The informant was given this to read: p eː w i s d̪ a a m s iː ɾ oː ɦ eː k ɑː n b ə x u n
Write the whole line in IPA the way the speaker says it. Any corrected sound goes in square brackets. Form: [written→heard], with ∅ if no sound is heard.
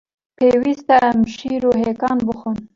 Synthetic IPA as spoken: p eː w i s [d̪→t̪] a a m [s→ʃ] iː ɾ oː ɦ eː k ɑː n b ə x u n